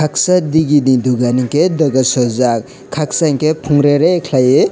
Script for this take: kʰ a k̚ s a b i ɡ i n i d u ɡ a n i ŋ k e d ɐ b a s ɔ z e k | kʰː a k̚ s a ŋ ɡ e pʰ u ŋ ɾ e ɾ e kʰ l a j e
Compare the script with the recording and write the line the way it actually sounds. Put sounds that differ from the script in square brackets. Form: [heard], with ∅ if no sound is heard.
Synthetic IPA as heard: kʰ a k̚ s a [d] i ɡ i n i d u ɡ a n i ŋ k e d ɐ [ɡ] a s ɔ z [a] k | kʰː a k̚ s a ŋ [k] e pʰ u ŋ ɾ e ɾ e kʰ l a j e